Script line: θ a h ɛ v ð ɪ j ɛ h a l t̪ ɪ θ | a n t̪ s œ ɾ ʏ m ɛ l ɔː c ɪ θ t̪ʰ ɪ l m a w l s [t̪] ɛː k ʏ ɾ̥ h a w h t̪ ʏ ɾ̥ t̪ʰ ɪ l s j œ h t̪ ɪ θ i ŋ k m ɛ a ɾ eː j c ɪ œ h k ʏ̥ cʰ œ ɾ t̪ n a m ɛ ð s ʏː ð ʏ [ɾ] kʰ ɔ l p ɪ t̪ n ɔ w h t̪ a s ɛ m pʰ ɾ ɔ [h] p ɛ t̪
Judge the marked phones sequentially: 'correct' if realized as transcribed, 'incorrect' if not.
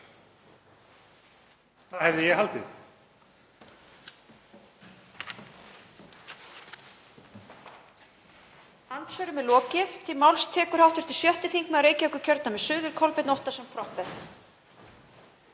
incorrect, correct, correct

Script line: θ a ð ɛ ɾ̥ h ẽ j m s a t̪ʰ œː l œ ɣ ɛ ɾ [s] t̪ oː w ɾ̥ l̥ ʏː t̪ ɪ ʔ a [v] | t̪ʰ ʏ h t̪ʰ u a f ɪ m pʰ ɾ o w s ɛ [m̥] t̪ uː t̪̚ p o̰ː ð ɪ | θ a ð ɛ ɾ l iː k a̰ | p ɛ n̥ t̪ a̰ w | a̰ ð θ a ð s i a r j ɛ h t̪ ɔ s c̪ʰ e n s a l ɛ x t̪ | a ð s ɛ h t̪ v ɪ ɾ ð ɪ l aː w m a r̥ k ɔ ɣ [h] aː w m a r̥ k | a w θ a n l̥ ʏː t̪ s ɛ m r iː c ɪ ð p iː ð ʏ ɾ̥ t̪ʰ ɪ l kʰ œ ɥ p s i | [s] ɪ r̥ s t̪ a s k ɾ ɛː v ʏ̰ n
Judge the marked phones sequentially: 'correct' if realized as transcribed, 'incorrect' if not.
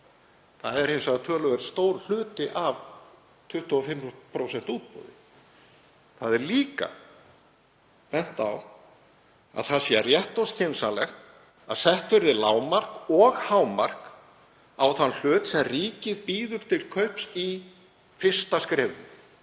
correct, correct, incorrect, correct, incorrect

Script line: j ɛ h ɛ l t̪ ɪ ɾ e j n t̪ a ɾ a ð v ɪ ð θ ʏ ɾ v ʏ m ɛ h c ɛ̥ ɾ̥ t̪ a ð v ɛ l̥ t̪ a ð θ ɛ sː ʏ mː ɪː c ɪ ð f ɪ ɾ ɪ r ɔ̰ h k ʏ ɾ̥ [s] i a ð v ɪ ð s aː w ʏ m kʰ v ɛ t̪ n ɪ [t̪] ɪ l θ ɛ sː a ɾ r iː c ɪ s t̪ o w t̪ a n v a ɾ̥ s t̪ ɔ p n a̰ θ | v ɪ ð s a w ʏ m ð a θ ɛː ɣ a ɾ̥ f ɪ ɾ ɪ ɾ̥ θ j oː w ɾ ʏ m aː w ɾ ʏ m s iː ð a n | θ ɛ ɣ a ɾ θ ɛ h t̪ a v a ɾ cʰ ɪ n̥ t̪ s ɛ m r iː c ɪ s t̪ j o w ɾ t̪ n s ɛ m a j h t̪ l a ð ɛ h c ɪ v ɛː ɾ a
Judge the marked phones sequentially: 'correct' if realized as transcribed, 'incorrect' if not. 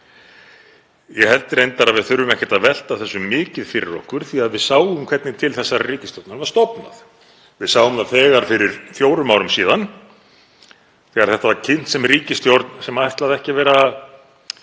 incorrect, incorrect

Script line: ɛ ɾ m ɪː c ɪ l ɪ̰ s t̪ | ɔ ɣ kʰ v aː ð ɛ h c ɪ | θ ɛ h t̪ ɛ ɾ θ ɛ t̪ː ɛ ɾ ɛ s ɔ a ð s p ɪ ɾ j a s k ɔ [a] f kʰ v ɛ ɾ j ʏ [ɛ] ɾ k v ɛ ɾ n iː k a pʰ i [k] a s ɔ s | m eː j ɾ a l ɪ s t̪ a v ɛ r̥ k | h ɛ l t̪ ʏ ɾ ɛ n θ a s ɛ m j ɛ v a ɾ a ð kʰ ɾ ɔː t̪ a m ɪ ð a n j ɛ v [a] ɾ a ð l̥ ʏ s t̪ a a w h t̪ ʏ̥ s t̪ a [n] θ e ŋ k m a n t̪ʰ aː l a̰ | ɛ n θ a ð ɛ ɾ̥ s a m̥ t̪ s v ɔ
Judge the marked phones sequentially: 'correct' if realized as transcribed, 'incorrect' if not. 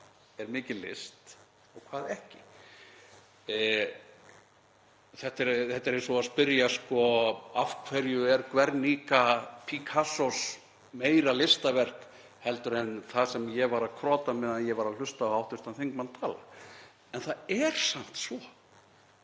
correct, correct, incorrect, correct, correct

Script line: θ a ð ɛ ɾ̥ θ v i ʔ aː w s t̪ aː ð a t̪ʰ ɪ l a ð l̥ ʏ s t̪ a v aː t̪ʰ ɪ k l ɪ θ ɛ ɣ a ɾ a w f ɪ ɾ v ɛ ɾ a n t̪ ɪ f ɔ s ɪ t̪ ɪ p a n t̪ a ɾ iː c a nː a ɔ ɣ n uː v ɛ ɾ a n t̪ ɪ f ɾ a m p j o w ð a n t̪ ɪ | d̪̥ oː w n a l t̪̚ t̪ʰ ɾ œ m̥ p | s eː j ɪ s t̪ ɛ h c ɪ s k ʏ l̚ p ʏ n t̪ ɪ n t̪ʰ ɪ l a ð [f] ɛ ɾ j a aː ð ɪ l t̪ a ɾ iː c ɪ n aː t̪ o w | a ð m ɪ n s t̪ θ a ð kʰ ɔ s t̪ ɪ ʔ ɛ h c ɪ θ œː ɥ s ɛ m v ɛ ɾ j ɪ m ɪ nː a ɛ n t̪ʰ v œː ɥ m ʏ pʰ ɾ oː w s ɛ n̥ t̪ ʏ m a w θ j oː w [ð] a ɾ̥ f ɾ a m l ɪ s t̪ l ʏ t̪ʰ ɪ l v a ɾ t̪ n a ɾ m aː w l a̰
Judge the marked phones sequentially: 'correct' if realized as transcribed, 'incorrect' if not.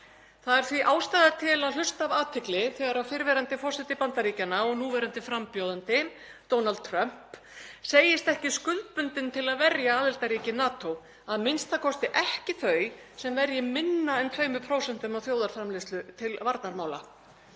incorrect, correct

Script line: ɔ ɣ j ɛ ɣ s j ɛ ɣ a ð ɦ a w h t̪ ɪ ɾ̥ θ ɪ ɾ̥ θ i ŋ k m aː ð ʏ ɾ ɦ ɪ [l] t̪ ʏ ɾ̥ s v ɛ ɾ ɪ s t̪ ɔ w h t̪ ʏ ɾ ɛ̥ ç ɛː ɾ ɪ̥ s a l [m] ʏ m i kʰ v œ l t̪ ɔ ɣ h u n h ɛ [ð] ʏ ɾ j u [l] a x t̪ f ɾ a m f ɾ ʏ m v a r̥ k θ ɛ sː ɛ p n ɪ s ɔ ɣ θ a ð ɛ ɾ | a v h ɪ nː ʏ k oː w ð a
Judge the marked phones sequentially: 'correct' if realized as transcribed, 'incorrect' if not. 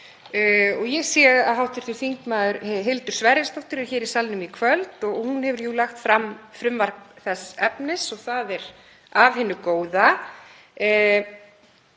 correct, incorrect, incorrect, correct

